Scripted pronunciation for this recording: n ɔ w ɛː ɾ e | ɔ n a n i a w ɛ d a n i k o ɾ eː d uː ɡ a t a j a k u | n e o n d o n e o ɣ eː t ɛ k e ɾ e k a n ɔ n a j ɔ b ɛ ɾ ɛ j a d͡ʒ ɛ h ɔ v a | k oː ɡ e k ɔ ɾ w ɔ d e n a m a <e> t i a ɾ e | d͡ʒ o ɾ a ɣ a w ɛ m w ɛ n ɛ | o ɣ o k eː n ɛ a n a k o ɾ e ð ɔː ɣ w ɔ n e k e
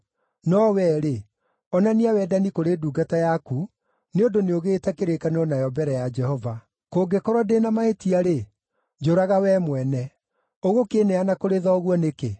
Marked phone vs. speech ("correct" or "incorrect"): correct